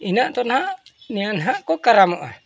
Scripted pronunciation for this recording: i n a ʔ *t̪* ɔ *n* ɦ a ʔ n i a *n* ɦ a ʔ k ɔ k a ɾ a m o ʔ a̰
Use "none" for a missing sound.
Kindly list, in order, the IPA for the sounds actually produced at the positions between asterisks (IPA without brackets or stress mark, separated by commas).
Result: t̪, n, n